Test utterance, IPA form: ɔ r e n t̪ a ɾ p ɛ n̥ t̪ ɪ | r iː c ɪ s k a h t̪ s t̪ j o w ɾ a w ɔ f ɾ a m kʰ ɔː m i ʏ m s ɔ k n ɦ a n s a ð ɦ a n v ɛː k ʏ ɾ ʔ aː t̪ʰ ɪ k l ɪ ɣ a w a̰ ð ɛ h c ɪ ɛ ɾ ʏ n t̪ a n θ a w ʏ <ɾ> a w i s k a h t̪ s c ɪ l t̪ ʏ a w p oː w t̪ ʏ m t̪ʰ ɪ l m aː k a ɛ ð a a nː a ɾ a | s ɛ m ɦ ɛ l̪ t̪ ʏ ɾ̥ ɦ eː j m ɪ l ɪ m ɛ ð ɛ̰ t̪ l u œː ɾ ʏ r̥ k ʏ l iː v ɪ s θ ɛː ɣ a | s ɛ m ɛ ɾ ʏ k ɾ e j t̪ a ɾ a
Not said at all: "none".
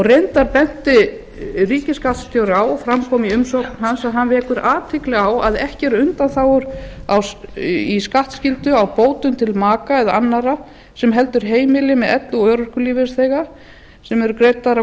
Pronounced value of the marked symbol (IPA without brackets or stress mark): ɾ